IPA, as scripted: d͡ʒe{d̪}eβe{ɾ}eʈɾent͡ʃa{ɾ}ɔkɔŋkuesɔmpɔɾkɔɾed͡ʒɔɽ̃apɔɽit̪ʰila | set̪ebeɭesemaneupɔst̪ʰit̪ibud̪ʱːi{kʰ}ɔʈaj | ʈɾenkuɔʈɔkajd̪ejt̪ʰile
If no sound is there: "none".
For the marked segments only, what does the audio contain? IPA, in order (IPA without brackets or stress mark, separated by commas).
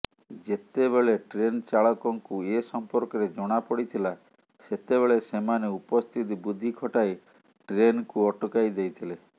t̪, ɭ, ɭ, kʰ